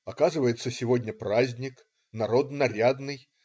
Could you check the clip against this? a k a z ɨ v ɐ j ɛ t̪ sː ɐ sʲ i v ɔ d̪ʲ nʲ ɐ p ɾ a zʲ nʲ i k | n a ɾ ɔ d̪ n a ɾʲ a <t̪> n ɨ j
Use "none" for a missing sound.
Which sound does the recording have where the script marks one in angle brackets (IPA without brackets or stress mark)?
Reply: d̪